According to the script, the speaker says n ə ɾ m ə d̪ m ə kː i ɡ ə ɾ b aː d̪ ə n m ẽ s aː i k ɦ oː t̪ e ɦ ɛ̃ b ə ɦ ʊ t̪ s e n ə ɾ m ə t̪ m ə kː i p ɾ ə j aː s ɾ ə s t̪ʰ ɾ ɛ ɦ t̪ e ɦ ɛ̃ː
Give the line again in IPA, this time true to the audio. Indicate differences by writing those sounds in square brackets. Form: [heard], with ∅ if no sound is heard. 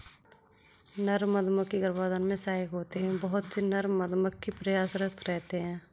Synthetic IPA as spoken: n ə ɾ m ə d̪ m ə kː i ɡ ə ɾ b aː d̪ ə n m ẽ s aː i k ɦ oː t̪ e ɦ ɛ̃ b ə ɦ ʊ t̪ s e n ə ɾ m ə [d̪] m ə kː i p ɾ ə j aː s ɾ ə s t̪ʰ ɾ ɛ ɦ t̪ e ɦ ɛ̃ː